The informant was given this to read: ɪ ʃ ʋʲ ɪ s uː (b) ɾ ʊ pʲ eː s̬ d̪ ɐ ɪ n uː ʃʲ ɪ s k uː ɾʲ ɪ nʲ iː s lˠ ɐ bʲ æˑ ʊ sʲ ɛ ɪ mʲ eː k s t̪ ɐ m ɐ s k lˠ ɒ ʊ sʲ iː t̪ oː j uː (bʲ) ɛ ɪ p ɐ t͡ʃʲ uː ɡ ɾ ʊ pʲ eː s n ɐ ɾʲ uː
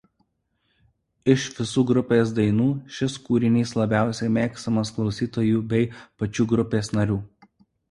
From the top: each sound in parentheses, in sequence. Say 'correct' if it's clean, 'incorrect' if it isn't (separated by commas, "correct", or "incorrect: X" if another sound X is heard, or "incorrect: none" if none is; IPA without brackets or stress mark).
incorrect: ɡ, correct